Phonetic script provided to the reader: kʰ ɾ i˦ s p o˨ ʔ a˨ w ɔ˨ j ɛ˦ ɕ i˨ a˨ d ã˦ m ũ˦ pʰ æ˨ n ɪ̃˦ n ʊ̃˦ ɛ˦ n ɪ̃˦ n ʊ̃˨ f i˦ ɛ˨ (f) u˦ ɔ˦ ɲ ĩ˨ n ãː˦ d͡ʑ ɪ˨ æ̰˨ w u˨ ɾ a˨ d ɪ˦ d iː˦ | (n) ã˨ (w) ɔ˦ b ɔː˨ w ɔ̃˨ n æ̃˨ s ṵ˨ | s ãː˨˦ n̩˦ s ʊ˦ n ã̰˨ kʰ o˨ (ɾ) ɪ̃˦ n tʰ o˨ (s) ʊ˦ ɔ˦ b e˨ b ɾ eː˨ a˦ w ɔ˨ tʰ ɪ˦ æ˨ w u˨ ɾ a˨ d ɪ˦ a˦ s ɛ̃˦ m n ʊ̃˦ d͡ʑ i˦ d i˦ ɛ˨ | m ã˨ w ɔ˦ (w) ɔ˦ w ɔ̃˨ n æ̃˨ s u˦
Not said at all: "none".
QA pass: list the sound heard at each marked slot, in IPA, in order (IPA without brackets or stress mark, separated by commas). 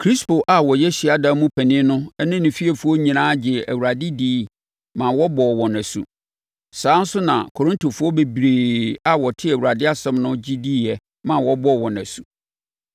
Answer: f, m, w, ɾ, f, b